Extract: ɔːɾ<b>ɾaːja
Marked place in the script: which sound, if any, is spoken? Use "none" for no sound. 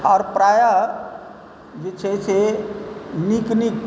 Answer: p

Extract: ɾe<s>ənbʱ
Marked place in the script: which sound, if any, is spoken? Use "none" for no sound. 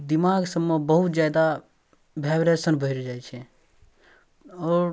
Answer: s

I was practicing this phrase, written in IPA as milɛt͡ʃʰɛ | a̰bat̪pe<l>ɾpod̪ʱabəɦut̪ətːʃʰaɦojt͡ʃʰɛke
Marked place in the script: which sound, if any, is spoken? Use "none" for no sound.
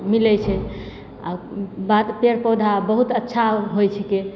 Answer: none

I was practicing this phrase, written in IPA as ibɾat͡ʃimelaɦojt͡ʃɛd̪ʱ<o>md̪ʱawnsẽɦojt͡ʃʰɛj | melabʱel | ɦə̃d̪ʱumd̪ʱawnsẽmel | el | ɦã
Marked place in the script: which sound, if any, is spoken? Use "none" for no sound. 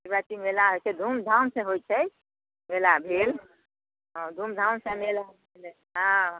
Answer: u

